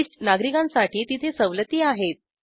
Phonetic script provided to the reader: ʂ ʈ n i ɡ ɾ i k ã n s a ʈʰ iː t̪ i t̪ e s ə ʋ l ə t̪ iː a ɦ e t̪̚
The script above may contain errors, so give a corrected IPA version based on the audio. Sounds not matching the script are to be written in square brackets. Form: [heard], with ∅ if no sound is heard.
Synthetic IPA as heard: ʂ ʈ n [a] ɡ ɾ i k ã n s a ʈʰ iː t̪ i [t̪ʰ] e s ə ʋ l ə t̪ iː a ɦ e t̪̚